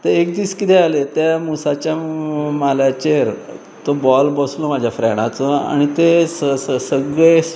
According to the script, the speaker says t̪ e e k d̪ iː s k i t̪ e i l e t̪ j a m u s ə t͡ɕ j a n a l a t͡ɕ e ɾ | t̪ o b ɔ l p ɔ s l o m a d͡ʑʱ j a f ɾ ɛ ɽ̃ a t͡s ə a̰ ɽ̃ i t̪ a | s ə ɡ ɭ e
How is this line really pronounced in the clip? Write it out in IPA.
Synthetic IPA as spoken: t̪ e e k d̪ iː s k i t̪ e a l e t̪ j a m u s a t͡ɕ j a m a l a t͡ɕ e ɾ | t̪ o b ɔ l b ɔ s l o m a d͡ʑʱ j a f ɾ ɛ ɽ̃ a t͡s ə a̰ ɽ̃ i t̪ e | s ə ɡ ɭ e